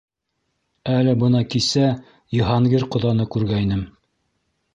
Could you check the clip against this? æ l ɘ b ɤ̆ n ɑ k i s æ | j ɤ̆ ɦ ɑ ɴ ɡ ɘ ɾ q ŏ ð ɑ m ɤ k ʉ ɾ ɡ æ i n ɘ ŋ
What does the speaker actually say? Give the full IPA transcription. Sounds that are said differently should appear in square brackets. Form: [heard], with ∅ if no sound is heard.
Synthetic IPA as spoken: æ l ɘ b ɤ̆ n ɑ k i s æ | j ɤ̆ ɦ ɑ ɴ ɡ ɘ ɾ q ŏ ð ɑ [n] ɤ k ʉ ɾ ɡ æ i n ɘ [m]